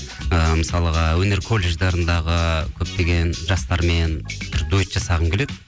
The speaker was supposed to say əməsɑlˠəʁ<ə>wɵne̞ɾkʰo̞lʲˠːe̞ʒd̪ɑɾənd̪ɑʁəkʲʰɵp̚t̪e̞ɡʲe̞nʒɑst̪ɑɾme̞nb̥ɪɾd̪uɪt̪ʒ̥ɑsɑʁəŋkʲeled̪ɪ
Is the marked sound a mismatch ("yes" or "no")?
yes